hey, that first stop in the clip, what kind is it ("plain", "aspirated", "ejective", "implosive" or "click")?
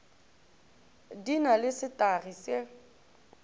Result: plain